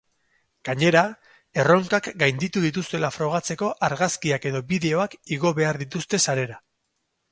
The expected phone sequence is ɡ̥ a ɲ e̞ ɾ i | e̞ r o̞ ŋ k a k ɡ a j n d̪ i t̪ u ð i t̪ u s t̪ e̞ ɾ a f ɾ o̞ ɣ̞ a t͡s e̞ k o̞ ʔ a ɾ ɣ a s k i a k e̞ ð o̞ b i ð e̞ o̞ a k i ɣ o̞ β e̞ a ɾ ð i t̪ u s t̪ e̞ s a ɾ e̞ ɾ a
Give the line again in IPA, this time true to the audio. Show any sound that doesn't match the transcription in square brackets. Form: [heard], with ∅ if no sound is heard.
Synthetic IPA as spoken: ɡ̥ a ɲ e̞ ɾ [a] | e̞ r o̞ ŋ k a k ɡ a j n d̪ i t̪ u ð i t̪ u s t̪ e̞ [l] a f ɾ o̞ ɣ̞ a t͡s e̞ k o̞ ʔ a ɾ ɣ a s k i a k e̞ ð o̞ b i ð e̞ o̞ a k i ɣ o̞ β e̞ a ɾ ð i t̪ u s t̪ e̞ s a ɾ e̞ ɾ a